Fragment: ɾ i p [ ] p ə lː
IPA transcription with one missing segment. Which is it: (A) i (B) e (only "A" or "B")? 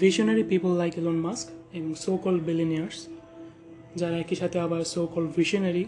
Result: A